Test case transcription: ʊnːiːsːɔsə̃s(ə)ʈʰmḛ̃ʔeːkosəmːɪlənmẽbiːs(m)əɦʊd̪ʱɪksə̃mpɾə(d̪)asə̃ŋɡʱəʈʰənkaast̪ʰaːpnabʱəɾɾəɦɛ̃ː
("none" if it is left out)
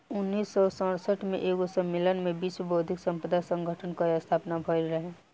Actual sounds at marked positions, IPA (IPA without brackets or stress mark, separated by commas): ə, b, d̪